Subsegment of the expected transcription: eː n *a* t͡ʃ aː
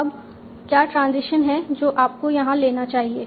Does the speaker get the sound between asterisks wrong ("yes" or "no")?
no